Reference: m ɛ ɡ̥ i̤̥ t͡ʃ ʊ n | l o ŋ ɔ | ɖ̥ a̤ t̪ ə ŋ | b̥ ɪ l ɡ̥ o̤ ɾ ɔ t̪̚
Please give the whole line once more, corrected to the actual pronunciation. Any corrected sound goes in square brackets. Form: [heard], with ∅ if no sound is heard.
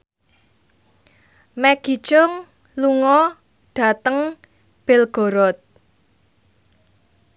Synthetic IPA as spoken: m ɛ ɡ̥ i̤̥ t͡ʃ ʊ [ŋ] | l [u] ŋ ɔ | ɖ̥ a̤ t̪ ə ŋ | b̥ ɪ l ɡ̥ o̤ ɾ ɔ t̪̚